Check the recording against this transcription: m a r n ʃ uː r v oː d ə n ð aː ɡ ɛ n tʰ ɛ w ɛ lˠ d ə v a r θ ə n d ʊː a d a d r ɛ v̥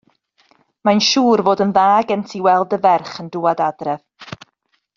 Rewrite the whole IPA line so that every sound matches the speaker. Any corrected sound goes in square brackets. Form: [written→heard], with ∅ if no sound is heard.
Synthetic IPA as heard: m a [r→∅] n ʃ uː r v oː d ə n ð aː ɡ ɛ n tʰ [ɛ→i] w ɛ lˠ d ə v [a→ɛ] r [θ→χ] ə n d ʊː a d a d r ɛ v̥